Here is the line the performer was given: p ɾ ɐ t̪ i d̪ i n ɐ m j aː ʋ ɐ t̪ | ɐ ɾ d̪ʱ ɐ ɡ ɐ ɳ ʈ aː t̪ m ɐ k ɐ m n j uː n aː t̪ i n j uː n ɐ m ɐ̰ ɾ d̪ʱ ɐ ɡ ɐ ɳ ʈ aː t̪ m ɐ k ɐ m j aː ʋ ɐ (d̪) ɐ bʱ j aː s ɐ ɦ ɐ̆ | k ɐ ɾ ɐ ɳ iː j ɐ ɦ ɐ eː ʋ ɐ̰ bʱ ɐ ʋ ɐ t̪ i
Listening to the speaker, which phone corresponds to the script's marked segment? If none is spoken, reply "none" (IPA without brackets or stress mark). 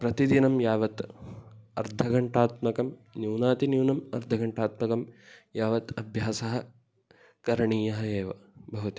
t̪